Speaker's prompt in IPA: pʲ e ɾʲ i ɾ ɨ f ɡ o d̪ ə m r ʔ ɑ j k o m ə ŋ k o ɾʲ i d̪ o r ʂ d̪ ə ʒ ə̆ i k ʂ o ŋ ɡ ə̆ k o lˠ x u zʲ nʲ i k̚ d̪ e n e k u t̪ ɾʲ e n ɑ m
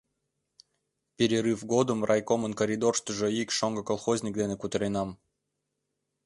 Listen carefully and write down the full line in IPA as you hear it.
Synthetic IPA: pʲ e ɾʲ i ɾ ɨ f ɡ o d̪ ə m r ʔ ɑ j k o m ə n k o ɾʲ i d̪ o r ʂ t̪ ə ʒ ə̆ i k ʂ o ŋ ɡ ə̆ k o lˠ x o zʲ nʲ i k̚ d̪ e n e k u t̪ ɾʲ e n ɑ m

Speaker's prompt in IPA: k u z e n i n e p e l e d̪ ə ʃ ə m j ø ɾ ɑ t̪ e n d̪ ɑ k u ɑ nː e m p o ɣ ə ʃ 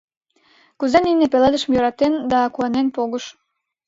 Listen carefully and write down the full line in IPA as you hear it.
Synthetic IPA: k u z e n i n e p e l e d̪ ə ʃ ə m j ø ɾ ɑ t̪ e n d̪ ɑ k u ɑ n e n p o ɣ ə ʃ

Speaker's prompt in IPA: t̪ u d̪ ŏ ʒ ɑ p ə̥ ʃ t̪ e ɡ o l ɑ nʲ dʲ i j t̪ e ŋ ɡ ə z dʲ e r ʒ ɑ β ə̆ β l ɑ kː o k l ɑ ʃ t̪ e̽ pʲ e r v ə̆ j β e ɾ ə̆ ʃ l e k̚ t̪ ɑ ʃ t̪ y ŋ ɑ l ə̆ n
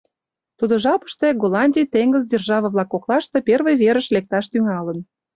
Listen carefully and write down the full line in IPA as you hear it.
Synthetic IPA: t̪ u d̪ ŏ ʒ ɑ p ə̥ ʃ t̪ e ɡ o l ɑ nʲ dʲ i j t̪ e ŋ ɡ ə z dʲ e r ʒ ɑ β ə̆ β l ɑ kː o k l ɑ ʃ t̪ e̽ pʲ e r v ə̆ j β e ɾ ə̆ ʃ l e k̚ t̪ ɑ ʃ t̪ y ŋ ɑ l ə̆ n

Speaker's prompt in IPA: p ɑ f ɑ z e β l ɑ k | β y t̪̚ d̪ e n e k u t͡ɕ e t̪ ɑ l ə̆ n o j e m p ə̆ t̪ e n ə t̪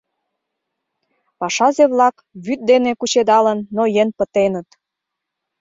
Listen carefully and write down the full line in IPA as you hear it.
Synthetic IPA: p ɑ ʃ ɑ z e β l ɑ k | β y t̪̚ d̪ e n e k u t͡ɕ e d̪ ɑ l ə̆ nː o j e n p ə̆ t̪ e n ə t̪

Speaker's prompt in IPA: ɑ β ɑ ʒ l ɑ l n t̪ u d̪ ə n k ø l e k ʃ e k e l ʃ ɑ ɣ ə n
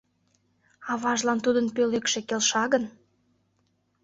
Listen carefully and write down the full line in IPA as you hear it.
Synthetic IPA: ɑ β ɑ ʒ l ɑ n t̪ u d̪ ə n p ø l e k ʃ e k e l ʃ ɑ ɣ ə n

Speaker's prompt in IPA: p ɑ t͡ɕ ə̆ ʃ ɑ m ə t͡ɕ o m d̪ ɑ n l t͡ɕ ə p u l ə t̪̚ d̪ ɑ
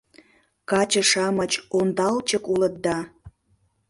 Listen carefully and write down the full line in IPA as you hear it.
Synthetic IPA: k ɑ t͡ɕ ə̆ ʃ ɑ m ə t͡ɕ o n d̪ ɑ l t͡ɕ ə k u l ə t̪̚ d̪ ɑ

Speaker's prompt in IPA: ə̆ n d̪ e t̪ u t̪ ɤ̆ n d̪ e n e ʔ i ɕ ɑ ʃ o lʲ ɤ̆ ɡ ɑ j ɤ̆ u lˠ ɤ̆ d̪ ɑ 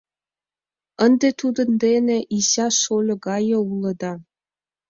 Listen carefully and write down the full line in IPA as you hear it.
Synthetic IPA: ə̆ n d̪ e t̪ u d̪ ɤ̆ n d̪ e n e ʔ i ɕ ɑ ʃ o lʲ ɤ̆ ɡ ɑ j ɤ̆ u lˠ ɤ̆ d̪ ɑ

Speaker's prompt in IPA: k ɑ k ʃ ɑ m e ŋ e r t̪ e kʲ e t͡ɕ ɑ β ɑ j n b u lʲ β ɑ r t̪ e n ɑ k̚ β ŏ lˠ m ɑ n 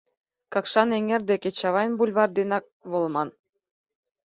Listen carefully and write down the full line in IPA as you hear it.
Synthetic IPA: k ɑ k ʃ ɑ n e ŋ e r d̪ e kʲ e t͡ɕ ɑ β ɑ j n b u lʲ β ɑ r d̪ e n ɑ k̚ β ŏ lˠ m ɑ n

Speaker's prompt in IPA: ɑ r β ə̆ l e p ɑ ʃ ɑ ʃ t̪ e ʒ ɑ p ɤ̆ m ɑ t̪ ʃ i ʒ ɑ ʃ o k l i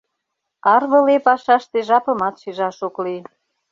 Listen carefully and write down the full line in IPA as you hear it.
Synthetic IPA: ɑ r β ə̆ l e p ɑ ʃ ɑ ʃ t̪ e ʒ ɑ p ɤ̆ m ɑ t̪ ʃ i ʒ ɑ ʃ o k l i

